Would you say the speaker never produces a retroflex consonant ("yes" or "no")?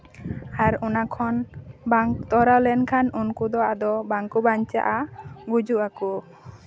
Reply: yes